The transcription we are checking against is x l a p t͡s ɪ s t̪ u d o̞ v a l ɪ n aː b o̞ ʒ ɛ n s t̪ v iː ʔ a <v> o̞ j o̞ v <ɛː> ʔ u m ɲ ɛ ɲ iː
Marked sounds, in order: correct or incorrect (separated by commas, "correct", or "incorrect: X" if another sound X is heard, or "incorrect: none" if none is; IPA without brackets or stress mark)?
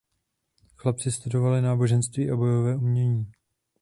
incorrect: b, correct